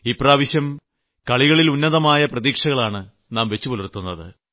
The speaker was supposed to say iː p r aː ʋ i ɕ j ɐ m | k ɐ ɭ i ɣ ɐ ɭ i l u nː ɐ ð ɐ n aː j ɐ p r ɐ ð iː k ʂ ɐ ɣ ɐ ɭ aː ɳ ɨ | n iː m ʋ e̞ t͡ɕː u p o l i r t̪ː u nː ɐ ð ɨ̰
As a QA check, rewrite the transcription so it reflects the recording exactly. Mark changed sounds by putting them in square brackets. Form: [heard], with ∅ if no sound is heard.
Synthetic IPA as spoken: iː p r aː ʋ i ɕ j ɐ m | k ɐ ɭ i ɣ ɐ ɭ i l u nː ɐ ð ɐ [m] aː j ɐ p r ɐ ð iː k ʂ ɐ ɣ ɐ ɭ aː ɳ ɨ | n [aː] m ʋ e̞ t͡ɕː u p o l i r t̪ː u nː ɐ ð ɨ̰